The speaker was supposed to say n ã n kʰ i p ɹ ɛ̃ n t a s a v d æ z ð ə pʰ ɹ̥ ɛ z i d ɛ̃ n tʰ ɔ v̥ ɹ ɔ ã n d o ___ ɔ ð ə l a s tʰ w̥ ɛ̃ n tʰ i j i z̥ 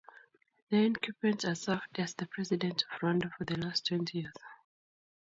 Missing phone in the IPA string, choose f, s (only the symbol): f